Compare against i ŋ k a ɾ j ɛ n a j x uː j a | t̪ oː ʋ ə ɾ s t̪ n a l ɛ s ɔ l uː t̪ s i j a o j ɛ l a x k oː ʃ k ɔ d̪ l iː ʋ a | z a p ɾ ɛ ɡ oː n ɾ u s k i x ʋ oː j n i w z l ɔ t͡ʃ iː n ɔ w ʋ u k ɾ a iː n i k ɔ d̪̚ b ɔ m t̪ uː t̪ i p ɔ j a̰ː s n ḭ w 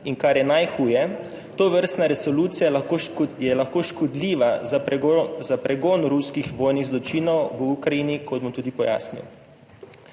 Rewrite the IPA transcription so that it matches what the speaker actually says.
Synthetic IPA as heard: i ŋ k a ɾ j ɛ n a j x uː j ɛ | t̪ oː ʋ ə ɾ s t̪ n a ɾ ɛ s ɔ l uː t̪ s i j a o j ɛ l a x k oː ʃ k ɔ d̪ l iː ʋ a | z a p ɾ ɛ ɡ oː n ɾ u s k i x ʋ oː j n i ɣ z l ɔ t͡ʃ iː n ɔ w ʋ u k ɾ a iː n i k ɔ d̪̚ b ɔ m t̪ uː d̪ i p ɔ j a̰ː s n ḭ w